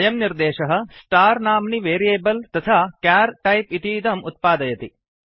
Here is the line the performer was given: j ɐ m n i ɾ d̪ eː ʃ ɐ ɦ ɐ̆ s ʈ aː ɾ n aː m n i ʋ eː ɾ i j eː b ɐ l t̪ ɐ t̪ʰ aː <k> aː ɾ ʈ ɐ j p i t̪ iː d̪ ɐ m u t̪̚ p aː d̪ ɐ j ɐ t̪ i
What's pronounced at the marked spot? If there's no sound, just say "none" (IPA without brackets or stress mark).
k